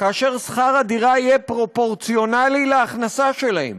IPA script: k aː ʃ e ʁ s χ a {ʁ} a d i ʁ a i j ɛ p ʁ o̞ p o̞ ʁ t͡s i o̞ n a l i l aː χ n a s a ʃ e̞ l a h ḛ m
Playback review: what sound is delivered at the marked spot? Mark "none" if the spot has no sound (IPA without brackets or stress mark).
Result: ʁ